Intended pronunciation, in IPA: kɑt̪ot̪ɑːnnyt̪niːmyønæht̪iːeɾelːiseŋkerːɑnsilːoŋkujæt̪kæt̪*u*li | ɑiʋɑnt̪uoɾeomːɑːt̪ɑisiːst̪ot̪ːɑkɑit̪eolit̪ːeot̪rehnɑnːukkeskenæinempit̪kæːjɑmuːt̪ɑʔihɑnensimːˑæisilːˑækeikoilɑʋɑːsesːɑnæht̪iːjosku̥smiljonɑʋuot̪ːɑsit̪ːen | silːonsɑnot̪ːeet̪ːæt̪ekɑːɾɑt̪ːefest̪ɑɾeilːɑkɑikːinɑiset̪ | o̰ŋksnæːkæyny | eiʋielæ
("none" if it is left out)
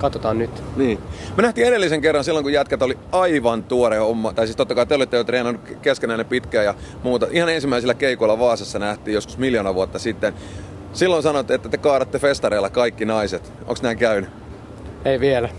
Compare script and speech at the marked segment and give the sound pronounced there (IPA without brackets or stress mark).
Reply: o